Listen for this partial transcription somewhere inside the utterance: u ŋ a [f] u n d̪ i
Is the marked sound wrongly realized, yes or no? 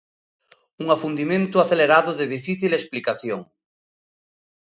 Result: no